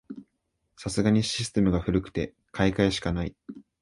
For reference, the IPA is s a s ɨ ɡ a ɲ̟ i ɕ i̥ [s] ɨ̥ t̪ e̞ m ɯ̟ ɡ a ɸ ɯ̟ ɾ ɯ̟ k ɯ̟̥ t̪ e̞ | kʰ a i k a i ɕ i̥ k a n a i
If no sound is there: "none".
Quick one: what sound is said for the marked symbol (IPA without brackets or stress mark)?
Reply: s